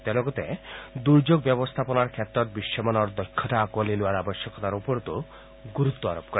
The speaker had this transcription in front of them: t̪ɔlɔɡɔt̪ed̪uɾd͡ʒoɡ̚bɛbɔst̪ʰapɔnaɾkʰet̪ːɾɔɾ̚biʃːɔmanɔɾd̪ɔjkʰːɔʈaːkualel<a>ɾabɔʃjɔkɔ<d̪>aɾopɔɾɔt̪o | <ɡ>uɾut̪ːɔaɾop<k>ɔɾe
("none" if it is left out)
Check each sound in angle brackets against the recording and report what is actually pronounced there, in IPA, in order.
a, t̪, ɡ, k

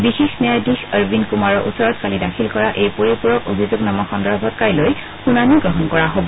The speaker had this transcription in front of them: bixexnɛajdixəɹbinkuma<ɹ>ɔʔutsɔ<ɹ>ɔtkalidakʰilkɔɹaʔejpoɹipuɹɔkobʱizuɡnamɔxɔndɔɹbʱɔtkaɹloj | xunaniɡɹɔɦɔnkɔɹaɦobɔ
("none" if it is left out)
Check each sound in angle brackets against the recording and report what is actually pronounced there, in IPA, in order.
ɹ, ɹ

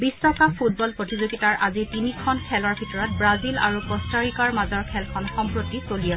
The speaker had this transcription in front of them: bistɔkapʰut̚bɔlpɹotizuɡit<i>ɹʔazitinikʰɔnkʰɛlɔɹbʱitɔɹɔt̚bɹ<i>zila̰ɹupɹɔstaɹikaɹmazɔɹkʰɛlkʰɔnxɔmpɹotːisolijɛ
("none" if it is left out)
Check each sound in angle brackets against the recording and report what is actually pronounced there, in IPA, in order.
a, a

